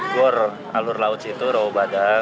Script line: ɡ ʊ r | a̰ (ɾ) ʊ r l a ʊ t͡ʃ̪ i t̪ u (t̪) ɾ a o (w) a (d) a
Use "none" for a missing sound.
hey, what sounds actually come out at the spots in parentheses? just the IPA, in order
l, none, b, d

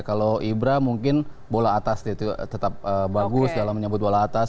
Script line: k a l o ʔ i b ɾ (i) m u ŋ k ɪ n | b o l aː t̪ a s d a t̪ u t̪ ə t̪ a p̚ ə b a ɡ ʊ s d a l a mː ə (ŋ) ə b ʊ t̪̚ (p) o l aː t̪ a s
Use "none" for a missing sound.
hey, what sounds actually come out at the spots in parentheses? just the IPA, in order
a, ɲ, b

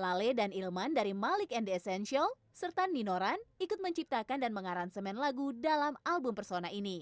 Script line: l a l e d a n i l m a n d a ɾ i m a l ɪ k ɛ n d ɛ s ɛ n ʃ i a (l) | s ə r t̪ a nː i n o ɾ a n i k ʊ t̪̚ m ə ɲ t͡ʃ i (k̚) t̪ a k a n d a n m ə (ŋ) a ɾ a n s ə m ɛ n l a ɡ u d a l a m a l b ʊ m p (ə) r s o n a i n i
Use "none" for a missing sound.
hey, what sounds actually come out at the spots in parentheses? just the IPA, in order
l, p̚, ŋ, ə

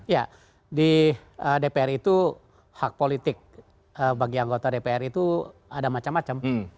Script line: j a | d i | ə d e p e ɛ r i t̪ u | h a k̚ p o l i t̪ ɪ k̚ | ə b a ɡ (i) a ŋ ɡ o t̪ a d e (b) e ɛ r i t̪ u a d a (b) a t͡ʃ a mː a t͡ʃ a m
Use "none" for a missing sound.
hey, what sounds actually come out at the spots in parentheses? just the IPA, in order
i, p, m

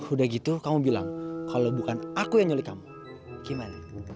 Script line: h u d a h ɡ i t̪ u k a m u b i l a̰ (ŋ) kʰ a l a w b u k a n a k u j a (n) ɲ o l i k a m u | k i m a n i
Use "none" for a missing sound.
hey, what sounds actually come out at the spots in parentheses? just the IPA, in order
ŋ, ŋ

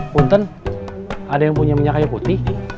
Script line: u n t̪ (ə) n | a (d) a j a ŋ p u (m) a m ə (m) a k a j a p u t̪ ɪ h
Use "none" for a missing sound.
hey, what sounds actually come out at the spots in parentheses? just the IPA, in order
ə, d, ɲ, ɲ

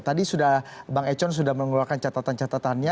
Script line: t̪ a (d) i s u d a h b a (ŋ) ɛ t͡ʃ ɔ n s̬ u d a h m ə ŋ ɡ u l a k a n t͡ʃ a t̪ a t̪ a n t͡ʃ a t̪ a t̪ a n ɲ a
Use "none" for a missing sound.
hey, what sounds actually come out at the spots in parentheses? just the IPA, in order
d, ŋ

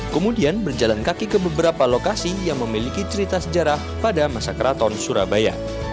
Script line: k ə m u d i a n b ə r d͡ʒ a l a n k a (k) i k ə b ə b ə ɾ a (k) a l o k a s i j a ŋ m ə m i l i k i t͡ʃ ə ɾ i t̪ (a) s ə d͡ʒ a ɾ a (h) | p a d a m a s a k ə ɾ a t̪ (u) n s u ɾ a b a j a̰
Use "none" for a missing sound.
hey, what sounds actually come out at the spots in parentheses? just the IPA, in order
k, p, a, h, ɔ

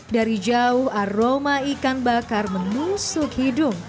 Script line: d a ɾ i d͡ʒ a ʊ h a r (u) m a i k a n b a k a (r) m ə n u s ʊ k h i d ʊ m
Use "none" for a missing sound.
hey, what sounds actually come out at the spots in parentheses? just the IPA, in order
o, r

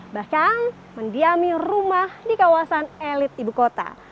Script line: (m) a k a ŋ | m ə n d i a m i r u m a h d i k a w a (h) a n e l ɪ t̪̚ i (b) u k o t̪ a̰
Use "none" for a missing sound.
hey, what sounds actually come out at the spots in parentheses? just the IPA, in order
b, s, b

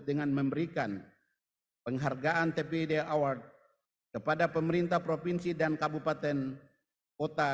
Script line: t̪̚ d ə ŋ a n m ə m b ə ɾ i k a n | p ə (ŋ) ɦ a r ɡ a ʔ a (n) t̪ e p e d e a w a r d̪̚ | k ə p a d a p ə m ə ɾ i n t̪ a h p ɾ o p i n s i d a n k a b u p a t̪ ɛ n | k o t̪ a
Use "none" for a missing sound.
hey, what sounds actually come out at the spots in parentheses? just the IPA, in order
ŋ, n

